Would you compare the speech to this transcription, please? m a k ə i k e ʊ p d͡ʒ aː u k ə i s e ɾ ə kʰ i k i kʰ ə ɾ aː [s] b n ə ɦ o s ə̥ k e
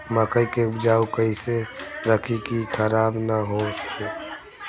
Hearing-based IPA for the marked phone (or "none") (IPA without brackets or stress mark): none